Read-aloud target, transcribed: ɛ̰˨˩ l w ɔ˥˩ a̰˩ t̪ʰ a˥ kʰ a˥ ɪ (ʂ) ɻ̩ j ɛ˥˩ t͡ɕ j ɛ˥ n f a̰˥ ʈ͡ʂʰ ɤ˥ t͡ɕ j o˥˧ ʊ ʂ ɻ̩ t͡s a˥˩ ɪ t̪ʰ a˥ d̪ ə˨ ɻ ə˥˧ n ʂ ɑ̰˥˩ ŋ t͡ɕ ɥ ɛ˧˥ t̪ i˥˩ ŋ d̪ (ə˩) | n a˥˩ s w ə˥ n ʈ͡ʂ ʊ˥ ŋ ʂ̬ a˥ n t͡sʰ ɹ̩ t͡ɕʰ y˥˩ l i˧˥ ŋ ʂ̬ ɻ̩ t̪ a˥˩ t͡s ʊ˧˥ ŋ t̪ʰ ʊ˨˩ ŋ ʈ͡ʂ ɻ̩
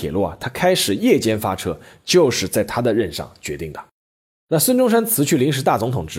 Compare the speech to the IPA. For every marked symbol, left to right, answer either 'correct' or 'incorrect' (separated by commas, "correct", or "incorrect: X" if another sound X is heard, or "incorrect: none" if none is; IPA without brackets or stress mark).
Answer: correct, correct